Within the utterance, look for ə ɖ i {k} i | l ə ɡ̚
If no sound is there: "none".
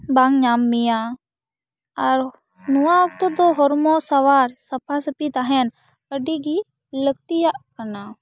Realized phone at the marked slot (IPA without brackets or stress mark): ɡ